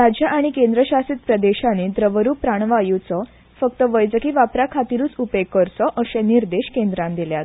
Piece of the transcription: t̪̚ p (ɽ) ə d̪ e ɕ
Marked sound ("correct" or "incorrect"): incorrect